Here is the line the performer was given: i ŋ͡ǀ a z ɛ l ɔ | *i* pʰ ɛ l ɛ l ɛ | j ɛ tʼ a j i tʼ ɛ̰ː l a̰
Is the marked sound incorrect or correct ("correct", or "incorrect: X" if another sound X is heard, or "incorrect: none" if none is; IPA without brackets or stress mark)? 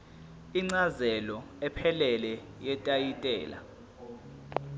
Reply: incorrect: ɛ